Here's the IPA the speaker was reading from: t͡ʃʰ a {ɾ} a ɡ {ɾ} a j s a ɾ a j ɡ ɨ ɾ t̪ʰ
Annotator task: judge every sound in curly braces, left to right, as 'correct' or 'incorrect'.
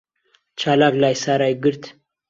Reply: incorrect, incorrect

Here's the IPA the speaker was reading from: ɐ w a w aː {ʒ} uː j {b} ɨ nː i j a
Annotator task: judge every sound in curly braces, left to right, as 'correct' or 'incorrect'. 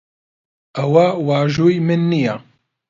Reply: correct, incorrect

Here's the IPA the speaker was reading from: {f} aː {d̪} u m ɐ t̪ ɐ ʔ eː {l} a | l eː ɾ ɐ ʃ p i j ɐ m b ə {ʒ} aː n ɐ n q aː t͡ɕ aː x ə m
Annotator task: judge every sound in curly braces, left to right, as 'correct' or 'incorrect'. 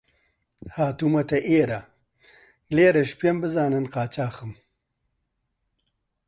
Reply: incorrect, incorrect, incorrect, incorrect

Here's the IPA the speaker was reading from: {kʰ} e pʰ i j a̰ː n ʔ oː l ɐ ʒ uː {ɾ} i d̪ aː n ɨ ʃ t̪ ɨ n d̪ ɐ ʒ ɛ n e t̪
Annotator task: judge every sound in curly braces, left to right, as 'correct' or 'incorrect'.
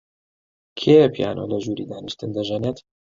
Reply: correct, correct

